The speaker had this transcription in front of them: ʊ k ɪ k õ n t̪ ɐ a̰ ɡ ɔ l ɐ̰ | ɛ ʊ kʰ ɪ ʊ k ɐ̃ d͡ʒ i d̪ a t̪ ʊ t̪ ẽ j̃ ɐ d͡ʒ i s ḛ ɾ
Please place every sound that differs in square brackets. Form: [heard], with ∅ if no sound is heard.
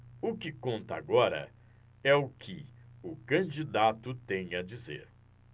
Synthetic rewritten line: ʊ k ɪ k õ n t̪ ɐ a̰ ɡ ɔ [ɾ] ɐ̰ | ɛ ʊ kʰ ɪ ʊ k ɐ̃ d͡ʒ i d̪ a t̪ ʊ t̪ ẽ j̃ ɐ d͡ʒ i [z] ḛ ɾ

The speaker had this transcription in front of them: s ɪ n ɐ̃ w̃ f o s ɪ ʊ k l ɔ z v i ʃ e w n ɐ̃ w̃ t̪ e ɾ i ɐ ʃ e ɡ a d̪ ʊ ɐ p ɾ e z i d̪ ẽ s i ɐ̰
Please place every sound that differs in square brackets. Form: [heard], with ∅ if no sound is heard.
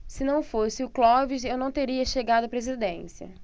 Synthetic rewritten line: s ɪ n ɐ̃ w̃ f o s ɪ ʊ k l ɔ [∅] v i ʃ e w n ɐ̃ w̃ t̪ e ɾ i ɐ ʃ e ɡ a d̪ ʊ ɐ p ɾ e z i d̪ ẽ s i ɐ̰

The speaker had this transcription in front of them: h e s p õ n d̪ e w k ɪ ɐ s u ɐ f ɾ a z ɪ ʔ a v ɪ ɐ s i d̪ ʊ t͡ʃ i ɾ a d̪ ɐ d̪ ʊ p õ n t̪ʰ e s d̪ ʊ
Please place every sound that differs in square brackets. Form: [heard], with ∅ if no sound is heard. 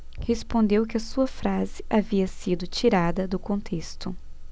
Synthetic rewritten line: h e s p õ n d̪ e w k ɪ ɐ s u ɐ f ɾ a z ɪ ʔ a v [i] ɐ s i d̪ ʊ t͡ʃ i ɾ a d̪ ɐ d̪ ʊ [k] õ n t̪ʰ e s [t̪] ʊ

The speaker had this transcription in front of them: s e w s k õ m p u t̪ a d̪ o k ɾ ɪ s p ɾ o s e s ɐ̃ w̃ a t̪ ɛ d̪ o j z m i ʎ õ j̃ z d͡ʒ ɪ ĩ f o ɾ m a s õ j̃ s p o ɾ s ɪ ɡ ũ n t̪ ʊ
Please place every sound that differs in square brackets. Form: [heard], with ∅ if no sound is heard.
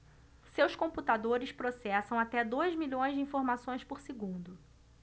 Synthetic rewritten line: s e w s k õ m p u t̪ a d̪ o [∅] ɾ ɪ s p ɾ o s [ɛ] s ɐ̃ w̃ a t̪ ɛ d̪ o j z m i ʎ õ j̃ z d͡ʒ ɪ ĩ f o ɾ m a s õ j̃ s p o ɾ s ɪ ɡ ũ n [d̪] ʊ

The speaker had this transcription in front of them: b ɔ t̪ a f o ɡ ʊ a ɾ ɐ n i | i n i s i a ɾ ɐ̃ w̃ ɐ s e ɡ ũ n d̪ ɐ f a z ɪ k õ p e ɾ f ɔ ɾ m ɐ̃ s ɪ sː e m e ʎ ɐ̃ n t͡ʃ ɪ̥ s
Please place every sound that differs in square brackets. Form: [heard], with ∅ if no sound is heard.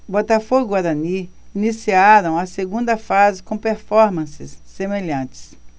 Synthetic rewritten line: b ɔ t̪ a f o ɡ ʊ a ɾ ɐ n i | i n i s i a ɾ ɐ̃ w̃ ɐ s e ɡ ũ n d̪ ɐ f a z ɪ k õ p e ɾ f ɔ ɾ m ɐ̃ s ɪ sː e m e ʎ ɐ̃ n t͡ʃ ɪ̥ s

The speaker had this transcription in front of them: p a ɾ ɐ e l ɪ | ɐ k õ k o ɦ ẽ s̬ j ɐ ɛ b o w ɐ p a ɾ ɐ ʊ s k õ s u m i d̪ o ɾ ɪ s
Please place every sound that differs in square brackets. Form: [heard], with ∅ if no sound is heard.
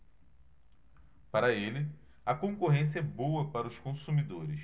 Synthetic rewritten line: p a ɾ ɐ e l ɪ | ɐ k õ k o ɦ ẽ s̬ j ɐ ɛ b o w ɐ p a ɾ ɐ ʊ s k õ s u m i d̪ o ɾ ɪ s

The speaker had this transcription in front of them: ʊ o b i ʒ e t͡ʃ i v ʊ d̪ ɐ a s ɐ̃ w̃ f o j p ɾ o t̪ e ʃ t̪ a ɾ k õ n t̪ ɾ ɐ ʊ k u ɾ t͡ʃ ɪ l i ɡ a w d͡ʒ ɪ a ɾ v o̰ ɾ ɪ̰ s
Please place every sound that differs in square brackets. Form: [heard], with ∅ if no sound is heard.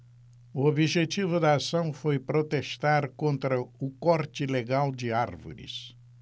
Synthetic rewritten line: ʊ o b i ʒ e t͡ʃ i v ʊ d̪ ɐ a s ɐ̃ w̃ f o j p ɾ o t̪ e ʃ t̪ a ɾ k õ n t̪ ɾ ɐ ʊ k [ɔ] ɾ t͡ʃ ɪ l [e] ɡ a w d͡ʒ ɪ a ɾ v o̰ ɾ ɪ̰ s

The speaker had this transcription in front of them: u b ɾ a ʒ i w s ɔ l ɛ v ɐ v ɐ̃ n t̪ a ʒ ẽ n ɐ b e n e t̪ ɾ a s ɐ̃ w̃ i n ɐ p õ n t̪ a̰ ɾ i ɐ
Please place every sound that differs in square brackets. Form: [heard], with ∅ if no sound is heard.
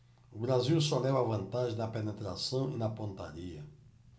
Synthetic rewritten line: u b ɾ a [z] i w s ɔ l ɛ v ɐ v ɐ̃ n t̪ a ʒ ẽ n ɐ [p] e n e t̪ ɾ a s ɐ̃ w̃ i n ɐ p õ n t̪ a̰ ɾ i ɐ

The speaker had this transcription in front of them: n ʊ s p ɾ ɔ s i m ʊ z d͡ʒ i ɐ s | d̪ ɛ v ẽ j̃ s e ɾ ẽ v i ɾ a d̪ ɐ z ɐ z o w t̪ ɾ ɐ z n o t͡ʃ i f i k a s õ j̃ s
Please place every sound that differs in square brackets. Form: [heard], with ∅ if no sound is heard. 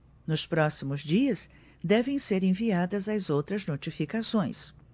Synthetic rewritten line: n ʊ s p ɾ ɔ s i m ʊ z d͡ʒ i ɐ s | d̪ ɛ v ẽ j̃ s e ɾ ẽ v i [∅] a d̪ ɐ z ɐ z o w t̪ ɾ ɐ z n o t͡ʃ i f i k a s õ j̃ s

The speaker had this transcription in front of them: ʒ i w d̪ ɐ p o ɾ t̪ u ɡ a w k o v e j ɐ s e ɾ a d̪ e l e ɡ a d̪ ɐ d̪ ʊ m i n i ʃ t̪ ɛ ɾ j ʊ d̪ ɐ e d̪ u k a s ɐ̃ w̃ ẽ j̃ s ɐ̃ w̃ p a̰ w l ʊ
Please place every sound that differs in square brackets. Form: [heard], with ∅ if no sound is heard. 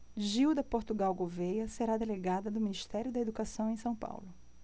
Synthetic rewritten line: ʒ i w d̪ ɐ p o ɾ t̪ u ɡ a w [ɡ] o v e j ɐ s e ɾ a d̪ e l e ɡ a d̪ ɐ d̪ ʊ m i n i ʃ t̪ ɛ ɾ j ʊ d̪ ɐ e d̪ u k a s ɐ̃ w̃ ẽ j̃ s ɐ̃ w̃ p a̰ w l ʊ

